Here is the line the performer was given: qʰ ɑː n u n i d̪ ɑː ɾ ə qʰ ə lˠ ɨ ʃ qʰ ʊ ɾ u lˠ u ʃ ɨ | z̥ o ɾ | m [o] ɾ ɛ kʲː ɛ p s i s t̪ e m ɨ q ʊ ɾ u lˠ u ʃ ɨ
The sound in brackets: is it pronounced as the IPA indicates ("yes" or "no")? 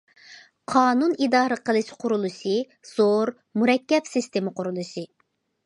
no